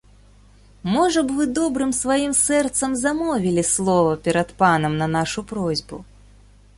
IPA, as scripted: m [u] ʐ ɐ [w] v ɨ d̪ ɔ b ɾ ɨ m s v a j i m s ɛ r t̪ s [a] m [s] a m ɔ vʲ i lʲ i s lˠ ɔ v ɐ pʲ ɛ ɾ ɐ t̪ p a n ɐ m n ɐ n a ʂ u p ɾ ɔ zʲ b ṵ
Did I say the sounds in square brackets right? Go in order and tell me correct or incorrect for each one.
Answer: incorrect, incorrect, incorrect, incorrect

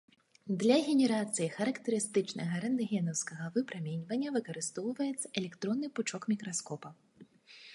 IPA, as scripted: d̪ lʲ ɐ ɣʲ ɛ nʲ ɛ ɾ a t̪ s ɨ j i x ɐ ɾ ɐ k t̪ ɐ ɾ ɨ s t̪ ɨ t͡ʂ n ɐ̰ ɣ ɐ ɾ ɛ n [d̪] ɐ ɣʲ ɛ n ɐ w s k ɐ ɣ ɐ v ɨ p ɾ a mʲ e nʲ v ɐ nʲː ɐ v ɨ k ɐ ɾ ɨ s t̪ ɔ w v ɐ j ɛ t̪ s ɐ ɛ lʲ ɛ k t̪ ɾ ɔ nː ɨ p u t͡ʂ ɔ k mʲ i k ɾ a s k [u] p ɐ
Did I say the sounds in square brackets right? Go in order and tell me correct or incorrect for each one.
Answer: correct, incorrect

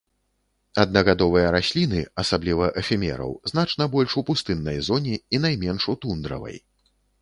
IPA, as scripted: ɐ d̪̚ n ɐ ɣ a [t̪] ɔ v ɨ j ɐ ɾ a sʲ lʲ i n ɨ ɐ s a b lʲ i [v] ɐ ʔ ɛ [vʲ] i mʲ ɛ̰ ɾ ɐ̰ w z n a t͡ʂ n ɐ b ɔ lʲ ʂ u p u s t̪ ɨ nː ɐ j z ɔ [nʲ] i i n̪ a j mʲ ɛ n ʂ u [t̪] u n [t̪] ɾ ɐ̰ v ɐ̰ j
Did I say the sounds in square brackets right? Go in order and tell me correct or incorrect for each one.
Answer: incorrect, correct, incorrect, correct, correct, incorrect

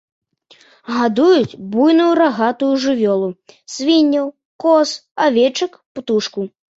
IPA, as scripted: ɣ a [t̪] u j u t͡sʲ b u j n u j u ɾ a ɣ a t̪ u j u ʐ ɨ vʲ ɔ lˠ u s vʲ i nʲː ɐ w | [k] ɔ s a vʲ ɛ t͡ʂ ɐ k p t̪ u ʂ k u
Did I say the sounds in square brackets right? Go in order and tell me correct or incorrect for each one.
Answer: incorrect, correct

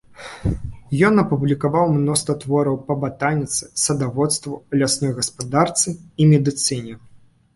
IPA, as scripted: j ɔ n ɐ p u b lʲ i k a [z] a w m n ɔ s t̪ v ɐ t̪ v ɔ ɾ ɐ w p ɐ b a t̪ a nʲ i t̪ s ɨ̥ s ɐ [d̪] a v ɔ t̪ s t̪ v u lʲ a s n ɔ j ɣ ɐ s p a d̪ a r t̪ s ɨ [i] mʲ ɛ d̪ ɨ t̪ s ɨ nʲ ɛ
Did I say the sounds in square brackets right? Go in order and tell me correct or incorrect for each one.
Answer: incorrect, correct, correct

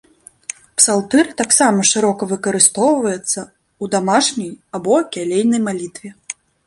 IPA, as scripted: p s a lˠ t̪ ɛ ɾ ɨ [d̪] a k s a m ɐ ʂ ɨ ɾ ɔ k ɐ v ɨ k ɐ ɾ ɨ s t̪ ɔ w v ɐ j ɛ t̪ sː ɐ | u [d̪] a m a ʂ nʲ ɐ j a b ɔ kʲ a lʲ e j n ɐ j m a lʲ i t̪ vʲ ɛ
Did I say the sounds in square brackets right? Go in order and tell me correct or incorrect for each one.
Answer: incorrect, correct

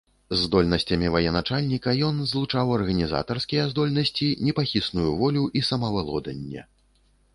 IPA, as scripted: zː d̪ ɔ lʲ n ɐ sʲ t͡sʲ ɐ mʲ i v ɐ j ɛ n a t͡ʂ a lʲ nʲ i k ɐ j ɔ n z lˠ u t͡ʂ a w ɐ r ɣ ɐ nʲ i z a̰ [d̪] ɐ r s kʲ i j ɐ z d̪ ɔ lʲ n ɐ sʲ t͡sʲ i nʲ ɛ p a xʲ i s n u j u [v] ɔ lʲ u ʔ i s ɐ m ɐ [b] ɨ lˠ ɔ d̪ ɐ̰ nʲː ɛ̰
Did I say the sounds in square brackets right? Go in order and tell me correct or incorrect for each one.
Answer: incorrect, correct, incorrect

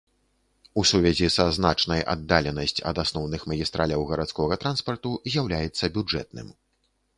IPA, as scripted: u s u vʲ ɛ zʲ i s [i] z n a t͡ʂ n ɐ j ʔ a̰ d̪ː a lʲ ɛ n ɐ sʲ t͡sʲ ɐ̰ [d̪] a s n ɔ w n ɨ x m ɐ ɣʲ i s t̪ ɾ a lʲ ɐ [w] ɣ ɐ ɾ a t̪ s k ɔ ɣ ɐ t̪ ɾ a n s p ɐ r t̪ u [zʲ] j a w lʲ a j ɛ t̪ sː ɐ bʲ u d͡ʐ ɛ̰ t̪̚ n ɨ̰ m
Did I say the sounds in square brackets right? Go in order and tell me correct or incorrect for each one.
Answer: incorrect, correct, correct, correct

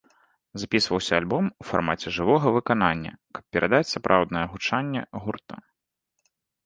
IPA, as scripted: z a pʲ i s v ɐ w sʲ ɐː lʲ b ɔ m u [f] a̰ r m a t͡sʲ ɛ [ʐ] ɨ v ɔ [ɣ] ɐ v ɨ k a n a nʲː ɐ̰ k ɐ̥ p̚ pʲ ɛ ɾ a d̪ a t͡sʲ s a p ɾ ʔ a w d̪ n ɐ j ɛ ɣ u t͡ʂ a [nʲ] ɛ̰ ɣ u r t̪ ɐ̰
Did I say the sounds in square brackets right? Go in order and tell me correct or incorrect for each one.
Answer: correct, correct, correct, incorrect

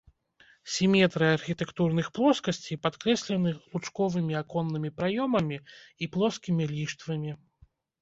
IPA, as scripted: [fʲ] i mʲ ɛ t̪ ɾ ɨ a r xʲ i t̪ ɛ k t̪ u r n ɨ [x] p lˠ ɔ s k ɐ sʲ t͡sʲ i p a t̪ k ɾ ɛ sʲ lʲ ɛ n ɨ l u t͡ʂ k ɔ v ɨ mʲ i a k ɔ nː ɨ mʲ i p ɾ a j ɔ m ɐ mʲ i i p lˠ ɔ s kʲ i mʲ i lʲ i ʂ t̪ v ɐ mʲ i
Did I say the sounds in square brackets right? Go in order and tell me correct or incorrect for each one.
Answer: incorrect, correct

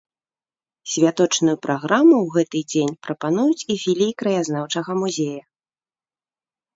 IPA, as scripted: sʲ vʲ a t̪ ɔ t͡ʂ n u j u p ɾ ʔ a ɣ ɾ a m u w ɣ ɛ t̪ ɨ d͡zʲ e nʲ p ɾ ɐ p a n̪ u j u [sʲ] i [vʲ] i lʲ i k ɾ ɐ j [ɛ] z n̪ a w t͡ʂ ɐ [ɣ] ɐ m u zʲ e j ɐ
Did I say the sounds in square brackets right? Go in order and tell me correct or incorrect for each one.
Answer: incorrect, incorrect, incorrect, correct

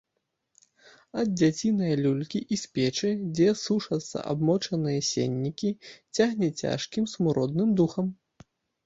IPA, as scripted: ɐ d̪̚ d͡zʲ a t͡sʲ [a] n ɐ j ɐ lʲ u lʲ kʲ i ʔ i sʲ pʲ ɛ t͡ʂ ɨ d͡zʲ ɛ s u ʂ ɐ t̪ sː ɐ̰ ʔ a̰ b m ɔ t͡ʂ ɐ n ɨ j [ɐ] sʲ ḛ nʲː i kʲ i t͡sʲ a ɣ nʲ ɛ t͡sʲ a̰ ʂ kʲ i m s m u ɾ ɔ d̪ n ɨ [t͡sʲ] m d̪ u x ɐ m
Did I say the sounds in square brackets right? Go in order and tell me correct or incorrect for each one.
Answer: incorrect, correct, incorrect

